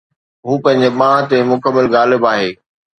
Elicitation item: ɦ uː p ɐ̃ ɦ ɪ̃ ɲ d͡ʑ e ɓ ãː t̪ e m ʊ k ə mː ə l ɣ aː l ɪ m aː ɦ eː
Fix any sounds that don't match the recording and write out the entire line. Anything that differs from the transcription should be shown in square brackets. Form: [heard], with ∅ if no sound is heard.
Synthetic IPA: ɦ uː p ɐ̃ ɦ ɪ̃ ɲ d͡ʑ e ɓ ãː t̪ e m ʊ k ə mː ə l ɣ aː l ɪ [b] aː ɦ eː